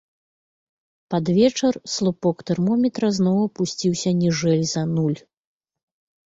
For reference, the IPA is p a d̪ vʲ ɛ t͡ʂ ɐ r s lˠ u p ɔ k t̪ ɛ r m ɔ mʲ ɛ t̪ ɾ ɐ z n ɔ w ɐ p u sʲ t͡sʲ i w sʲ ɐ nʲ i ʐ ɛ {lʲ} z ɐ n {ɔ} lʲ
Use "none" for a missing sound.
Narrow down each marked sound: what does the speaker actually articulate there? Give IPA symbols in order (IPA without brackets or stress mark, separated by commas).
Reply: lʲ, u